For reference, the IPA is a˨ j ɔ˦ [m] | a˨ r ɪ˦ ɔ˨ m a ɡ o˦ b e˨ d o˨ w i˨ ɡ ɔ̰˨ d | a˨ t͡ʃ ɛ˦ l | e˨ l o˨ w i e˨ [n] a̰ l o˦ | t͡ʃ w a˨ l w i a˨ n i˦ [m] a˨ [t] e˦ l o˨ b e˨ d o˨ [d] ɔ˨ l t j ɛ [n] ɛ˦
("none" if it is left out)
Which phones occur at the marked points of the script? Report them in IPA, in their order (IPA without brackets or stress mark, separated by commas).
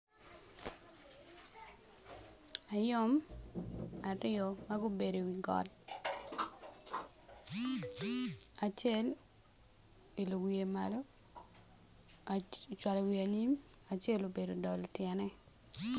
m, m, m, t͡ʃ, d, n